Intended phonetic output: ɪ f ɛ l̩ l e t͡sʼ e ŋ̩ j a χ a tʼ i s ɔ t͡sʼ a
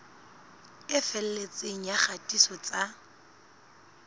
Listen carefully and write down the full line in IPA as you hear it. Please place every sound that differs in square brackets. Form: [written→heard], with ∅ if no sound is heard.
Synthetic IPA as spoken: ɪ f ɛ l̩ l e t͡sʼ e ŋ̩ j a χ a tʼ i s ɔ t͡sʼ a